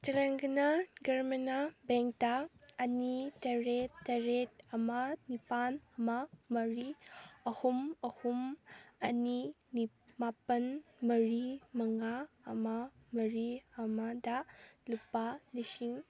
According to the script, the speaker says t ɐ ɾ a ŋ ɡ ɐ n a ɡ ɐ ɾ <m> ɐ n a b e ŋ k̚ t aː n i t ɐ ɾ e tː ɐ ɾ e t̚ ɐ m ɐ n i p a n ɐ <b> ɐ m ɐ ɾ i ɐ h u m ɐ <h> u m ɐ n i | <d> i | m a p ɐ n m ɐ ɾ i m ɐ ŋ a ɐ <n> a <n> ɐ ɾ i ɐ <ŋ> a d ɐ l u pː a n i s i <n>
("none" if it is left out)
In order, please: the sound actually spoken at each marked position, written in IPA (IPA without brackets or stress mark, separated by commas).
m, m, h, n, m, m, m, ŋ